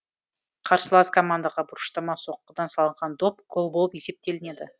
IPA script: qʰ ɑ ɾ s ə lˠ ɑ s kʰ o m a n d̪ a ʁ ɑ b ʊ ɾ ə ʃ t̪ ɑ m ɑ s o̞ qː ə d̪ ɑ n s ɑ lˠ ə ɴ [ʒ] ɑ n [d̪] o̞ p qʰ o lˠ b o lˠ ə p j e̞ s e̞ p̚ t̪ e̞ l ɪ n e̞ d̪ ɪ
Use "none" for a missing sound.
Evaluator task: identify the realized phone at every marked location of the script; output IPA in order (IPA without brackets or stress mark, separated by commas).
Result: ʁ, d̪